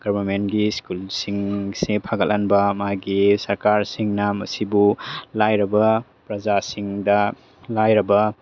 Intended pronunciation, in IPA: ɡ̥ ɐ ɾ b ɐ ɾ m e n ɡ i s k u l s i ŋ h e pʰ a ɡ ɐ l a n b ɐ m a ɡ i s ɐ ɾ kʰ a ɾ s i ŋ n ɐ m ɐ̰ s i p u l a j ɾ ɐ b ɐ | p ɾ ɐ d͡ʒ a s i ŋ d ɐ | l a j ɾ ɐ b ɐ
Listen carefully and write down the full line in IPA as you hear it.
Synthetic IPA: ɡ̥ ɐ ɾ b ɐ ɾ m e n ɡ i s k u l s i ŋ s e pʰ a ɡ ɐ l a n b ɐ m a ɡ i s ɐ ɾ k a ɾ s i ŋ n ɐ m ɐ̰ s i b u l a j ɾ ɐ b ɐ | p ɾ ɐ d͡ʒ a s i ŋ d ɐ | l a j ɾ ɐ b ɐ